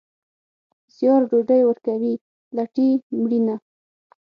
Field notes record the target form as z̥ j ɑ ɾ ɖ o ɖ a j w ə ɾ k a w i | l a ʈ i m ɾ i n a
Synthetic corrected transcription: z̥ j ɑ ɾ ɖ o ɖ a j w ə ɾ k a w i | l a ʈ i m ɽ i n a